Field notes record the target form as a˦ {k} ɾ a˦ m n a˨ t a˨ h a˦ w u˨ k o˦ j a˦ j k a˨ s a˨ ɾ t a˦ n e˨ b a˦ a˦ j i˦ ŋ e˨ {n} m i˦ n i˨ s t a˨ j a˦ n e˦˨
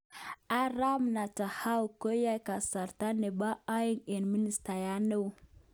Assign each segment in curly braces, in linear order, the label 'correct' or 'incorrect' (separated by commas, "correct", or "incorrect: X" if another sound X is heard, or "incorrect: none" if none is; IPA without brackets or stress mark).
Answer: incorrect: none, correct